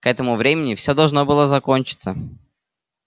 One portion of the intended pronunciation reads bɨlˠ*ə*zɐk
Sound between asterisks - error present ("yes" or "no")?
no